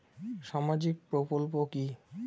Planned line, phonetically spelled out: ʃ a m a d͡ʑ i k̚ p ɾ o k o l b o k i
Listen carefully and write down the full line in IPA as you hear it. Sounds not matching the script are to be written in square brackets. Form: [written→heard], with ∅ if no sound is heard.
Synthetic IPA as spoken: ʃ a m a d͡ʑ i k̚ p ɾ o k o l [b→p] o k i